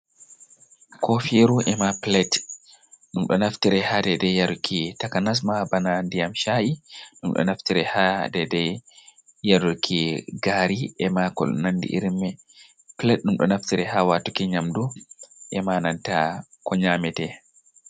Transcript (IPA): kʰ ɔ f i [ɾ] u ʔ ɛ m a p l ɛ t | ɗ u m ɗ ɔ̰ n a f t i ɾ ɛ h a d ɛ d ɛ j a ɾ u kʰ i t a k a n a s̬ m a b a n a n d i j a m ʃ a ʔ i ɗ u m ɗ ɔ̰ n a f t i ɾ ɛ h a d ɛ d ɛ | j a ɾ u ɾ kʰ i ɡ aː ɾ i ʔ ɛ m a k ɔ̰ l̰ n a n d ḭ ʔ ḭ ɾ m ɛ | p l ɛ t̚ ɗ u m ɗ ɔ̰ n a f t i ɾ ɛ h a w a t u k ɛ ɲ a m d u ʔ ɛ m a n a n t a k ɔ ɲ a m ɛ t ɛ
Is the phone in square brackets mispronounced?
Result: no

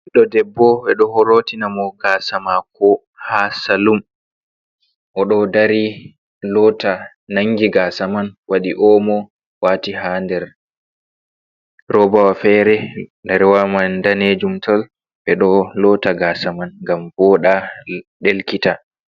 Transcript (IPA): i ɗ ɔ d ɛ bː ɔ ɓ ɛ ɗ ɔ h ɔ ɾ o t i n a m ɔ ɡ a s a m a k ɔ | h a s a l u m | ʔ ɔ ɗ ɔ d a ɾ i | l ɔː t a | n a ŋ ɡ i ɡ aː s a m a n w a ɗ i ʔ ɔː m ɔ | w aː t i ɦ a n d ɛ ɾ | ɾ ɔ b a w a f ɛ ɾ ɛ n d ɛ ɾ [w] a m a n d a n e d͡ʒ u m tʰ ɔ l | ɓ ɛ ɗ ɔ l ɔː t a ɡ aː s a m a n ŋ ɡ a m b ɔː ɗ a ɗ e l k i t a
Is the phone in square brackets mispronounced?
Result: no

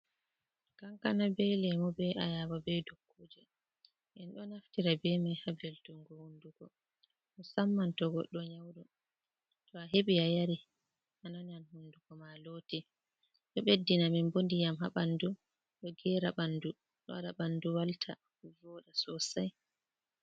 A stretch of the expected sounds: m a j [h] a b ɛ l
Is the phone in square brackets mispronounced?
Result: no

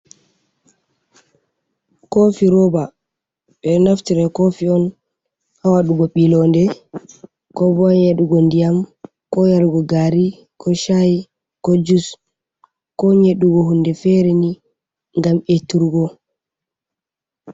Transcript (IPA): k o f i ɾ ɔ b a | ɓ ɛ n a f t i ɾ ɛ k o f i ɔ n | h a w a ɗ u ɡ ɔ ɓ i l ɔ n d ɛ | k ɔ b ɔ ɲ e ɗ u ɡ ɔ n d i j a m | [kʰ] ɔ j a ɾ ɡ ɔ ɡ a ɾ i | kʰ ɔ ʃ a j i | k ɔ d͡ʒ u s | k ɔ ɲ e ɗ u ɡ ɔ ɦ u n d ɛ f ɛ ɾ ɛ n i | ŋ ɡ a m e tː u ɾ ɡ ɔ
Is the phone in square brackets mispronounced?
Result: yes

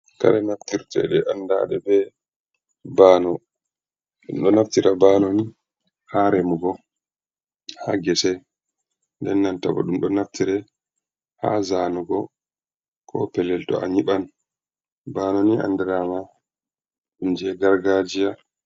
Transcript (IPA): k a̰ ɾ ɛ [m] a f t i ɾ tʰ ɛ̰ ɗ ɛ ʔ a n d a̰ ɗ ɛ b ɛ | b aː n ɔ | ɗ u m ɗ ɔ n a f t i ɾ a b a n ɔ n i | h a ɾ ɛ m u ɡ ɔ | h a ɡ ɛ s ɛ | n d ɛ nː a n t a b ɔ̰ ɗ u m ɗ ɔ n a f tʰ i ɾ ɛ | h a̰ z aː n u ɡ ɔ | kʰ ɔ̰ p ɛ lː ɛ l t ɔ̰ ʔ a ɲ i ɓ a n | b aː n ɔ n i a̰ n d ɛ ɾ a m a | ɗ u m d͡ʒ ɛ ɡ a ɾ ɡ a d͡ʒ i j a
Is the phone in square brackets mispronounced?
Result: yes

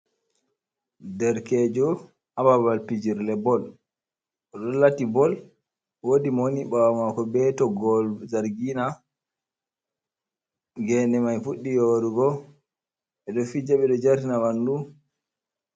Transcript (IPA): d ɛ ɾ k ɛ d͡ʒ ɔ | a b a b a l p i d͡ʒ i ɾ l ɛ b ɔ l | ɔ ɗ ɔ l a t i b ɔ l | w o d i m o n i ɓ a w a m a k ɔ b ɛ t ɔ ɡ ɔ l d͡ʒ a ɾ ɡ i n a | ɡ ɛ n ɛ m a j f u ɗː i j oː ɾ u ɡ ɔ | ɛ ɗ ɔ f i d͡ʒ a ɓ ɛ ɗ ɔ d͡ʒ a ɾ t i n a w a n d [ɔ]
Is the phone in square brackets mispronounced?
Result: yes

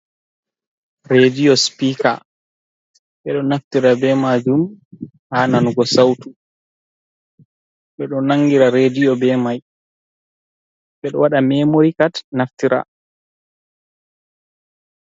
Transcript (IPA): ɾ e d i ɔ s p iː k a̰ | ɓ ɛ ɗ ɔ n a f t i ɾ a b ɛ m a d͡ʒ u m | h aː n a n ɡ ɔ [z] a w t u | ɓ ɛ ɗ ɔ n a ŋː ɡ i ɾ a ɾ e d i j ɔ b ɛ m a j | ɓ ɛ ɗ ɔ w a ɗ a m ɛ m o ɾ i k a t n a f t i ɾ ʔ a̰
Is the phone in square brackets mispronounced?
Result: yes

